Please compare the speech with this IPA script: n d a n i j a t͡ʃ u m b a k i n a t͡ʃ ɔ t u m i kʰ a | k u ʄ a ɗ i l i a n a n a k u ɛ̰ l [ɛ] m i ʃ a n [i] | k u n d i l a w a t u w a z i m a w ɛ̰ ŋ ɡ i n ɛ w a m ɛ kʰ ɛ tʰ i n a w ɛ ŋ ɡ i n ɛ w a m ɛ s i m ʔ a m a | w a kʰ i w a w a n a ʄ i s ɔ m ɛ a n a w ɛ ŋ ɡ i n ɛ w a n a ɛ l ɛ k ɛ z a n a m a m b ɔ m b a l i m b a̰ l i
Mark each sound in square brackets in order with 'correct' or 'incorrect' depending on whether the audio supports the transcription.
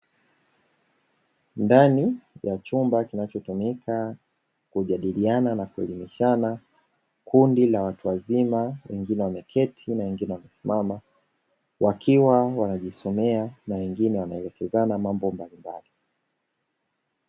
incorrect, incorrect

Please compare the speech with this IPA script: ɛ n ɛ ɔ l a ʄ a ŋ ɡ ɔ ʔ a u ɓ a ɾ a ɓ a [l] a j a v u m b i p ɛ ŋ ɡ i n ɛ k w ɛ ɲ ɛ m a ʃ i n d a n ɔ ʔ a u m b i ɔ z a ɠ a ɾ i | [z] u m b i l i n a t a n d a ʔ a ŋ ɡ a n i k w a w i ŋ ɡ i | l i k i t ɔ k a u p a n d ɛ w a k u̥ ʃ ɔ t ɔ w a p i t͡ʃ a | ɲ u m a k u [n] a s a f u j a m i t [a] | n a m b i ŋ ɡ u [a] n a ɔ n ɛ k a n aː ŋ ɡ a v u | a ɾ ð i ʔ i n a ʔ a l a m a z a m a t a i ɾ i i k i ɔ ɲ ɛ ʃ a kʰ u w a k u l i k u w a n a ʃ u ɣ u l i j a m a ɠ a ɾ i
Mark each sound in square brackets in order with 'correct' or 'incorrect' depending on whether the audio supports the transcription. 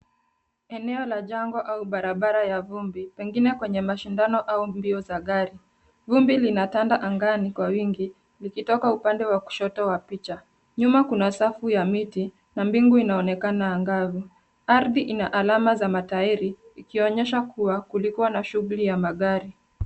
incorrect, incorrect, correct, incorrect, incorrect

